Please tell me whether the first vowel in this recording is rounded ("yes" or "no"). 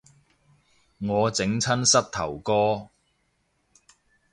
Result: yes